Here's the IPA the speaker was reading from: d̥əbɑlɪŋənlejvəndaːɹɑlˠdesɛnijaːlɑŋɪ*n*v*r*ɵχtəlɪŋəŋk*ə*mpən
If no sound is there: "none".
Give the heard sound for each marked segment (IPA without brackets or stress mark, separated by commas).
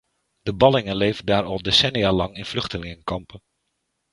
n, l, ɑ